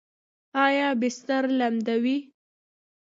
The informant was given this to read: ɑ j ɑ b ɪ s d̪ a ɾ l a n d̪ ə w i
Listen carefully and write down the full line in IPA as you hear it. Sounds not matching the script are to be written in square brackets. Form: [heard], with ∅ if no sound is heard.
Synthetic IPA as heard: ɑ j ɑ b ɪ s [t̪] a ɾ l a [m] d̪ [a] w i